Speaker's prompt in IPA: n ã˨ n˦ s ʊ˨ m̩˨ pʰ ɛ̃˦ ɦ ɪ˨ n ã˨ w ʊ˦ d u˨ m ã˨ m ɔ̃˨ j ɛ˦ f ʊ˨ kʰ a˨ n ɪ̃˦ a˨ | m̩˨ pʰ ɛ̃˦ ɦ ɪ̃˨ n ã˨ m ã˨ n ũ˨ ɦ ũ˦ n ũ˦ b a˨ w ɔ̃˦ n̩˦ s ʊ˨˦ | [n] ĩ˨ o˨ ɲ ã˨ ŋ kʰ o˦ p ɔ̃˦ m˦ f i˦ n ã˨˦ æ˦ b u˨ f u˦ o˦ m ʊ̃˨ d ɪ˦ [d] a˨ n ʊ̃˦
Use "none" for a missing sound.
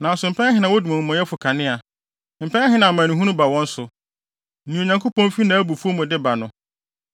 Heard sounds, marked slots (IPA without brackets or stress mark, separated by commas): n, b